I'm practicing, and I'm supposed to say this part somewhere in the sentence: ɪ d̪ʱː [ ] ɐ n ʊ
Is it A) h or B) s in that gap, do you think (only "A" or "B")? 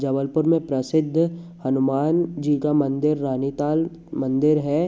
A